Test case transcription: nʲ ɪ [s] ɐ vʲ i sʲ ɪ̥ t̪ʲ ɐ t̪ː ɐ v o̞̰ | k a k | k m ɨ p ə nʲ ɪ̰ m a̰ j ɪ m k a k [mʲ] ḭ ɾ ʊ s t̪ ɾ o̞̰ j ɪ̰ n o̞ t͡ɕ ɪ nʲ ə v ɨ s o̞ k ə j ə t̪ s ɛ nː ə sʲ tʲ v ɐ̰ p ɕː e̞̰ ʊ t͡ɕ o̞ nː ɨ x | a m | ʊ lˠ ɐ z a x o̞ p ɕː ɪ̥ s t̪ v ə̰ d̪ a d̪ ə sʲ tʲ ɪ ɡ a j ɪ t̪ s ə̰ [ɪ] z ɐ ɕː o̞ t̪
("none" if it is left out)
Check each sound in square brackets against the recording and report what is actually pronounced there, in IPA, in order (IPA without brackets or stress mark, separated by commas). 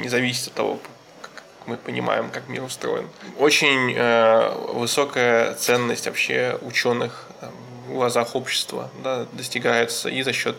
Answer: z, mʲ, i